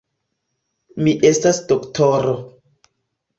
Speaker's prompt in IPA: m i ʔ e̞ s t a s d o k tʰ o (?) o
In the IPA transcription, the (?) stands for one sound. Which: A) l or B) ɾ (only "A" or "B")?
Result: B